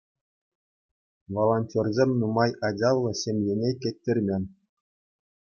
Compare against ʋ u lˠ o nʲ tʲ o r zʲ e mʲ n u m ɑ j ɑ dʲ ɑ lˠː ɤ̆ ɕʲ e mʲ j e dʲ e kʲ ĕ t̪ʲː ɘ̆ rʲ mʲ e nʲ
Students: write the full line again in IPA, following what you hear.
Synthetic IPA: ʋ o lˠ o nʲ tʲ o r zʲ e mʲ n u m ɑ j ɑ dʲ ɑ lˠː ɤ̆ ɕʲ e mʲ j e nʲ e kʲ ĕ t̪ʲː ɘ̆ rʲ mʲ e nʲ